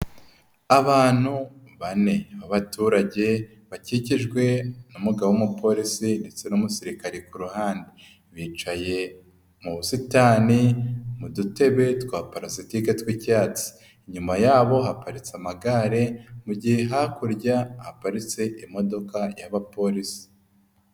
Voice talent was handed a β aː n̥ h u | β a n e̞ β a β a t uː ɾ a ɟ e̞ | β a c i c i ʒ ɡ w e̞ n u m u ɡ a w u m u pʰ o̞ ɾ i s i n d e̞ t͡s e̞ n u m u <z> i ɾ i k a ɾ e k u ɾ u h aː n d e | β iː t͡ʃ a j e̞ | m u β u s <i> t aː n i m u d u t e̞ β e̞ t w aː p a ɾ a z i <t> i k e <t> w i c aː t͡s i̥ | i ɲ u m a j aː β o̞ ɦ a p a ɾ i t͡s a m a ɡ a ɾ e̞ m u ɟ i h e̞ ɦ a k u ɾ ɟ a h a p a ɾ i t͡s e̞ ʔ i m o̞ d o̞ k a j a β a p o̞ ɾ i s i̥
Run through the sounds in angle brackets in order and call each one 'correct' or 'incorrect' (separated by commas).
incorrect, correct, correct, correct